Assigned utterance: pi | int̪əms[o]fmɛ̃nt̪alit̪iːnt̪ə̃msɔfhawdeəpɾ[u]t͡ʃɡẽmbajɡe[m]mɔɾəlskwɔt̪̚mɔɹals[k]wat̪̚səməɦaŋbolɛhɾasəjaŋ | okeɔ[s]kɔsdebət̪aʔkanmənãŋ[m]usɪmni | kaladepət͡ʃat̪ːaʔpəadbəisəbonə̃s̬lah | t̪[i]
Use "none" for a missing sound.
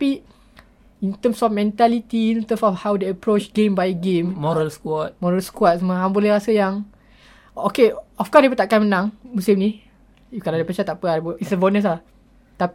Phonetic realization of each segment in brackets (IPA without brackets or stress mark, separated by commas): ɔ, o, m, k, f, m, a